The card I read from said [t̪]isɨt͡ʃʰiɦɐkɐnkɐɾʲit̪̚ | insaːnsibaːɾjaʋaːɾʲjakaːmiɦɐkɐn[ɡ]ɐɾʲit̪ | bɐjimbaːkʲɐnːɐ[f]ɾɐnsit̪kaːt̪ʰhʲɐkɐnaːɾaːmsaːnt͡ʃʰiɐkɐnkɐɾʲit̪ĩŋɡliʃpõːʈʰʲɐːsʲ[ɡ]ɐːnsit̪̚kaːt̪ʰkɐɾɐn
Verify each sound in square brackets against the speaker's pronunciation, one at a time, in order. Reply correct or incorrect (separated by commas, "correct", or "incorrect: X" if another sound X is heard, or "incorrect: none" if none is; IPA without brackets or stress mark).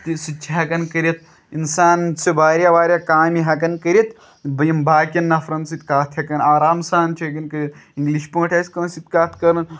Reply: correct, incorrect: k, correct, incorrect: k